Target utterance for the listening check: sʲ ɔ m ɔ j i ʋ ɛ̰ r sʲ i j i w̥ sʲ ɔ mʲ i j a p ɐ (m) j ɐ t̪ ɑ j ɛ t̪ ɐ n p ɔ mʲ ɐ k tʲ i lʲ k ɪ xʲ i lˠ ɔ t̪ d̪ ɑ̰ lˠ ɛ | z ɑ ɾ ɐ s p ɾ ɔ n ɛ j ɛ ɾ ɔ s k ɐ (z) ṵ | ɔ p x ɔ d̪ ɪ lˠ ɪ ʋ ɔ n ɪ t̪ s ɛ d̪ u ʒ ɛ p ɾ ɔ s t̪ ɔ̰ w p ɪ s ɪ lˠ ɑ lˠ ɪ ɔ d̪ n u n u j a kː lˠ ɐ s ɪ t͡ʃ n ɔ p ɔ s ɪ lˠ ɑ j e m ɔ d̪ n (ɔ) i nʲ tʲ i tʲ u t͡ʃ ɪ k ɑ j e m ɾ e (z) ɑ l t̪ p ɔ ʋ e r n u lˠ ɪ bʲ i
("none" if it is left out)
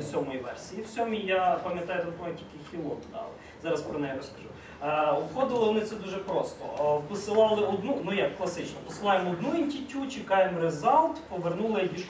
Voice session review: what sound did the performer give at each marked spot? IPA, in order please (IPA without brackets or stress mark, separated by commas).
m, ʒ, u, z